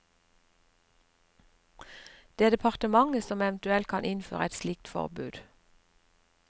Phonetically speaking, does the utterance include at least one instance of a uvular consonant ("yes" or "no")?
yes